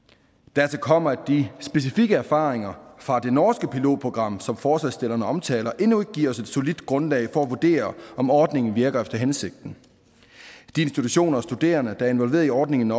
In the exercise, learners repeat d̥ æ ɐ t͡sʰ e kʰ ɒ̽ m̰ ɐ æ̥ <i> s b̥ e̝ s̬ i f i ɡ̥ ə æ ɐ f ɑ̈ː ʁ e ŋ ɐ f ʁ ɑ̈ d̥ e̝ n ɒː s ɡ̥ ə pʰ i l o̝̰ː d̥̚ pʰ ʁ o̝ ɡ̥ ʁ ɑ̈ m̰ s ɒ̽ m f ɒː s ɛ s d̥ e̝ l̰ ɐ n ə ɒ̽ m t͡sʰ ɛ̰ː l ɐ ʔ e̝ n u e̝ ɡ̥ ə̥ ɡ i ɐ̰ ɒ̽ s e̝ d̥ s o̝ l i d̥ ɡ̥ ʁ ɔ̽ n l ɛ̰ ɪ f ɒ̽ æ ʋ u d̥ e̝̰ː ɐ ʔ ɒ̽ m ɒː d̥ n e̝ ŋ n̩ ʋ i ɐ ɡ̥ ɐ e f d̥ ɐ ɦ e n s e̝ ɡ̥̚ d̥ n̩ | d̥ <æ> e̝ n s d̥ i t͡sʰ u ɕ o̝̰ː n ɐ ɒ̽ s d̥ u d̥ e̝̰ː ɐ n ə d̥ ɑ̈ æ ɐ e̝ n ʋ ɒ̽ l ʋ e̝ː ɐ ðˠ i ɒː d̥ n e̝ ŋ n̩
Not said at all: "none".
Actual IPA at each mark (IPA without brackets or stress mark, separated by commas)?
i, i